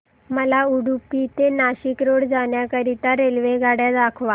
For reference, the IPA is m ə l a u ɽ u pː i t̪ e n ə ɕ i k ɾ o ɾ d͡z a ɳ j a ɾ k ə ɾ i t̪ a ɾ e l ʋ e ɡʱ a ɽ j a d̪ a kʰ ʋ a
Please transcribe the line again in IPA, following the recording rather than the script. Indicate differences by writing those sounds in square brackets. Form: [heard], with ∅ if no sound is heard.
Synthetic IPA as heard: m ə l a u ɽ u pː i t̪ e n [a] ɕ i k ɾ o [ɽ] d͡z a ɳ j a [∅] k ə ɾ i t̪ a ɾ e l ʋ e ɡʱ a ɽ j a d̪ a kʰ ʋ a